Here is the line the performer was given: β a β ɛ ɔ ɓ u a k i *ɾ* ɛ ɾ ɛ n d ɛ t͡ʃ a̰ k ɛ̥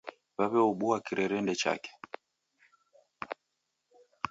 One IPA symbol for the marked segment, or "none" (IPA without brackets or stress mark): ɾ